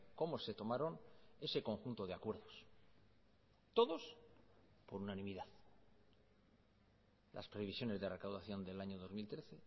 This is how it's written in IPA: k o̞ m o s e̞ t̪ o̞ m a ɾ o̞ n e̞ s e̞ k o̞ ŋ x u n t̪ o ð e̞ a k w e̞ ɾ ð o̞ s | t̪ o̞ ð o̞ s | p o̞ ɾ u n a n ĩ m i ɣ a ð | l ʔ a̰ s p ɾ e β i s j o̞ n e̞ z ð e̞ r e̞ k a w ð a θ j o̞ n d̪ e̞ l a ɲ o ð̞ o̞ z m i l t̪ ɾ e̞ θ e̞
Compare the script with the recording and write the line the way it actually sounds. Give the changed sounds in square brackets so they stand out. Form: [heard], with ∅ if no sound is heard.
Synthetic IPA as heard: k o̞ m o s e̞ t̪ o̞ m a ɾ o̞ n e̞ s e̞ k o̞ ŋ x u n t̪ o ð e̞ a k w e̞ ɾ ð o̞ s | t̪ o̞ ð o̞ s | p o̞ ɾ u n a n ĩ m i [ð] a ð | l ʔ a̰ s p ɾ e β i s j o̞ n e̞ z ð e̞ r e̞ k a w ð a θ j o̞ n d̪ e̞ l a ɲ o ð̞ o̞ z m i l t̪ ɾ e̞ θ e̞